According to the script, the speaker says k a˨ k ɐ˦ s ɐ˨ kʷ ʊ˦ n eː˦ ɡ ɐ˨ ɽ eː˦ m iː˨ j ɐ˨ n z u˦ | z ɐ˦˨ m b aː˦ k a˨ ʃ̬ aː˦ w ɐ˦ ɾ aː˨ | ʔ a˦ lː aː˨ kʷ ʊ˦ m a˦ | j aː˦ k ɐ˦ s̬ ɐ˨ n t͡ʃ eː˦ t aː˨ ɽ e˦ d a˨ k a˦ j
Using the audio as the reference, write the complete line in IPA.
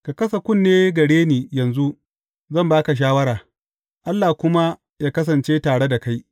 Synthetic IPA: k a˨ k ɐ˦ s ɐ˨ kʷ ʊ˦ nː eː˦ ɡ ɐ˨ ɽ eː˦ n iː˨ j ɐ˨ n z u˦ | z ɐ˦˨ m b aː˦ k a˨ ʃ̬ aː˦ w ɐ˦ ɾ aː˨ | ʔ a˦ lː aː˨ kʷ ʊ˦ m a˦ | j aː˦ k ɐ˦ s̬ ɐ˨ n t͡ʃ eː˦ t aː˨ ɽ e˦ d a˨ k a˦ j